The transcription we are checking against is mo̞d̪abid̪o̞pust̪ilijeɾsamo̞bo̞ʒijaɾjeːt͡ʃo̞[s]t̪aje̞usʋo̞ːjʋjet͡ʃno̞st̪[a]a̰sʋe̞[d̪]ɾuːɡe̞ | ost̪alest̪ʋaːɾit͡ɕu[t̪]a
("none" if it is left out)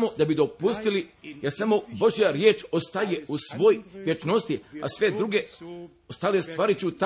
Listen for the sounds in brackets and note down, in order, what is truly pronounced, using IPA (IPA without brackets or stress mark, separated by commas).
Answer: s, i, d̪, t̪